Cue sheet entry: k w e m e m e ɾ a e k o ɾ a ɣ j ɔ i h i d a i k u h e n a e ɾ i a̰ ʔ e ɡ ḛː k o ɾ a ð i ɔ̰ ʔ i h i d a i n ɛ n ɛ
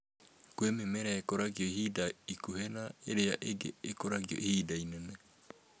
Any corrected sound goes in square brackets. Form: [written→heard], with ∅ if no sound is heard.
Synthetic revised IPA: k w e m e m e ɾ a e k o ɾ a ɣ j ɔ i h i d a i k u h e n a e ɾ [i→e] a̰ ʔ e ɡ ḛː k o ɾ a [ð→ɣ] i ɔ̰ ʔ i h i d a i n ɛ n ɛ